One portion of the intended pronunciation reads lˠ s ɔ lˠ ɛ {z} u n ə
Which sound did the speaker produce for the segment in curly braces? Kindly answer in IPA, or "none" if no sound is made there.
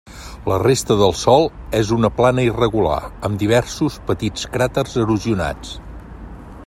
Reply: z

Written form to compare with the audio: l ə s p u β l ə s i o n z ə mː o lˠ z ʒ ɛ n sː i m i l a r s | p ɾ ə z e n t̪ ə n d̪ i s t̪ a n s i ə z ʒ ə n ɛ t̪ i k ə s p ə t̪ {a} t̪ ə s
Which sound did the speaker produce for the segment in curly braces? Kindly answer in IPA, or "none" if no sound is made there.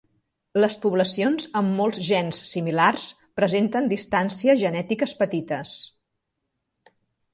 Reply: i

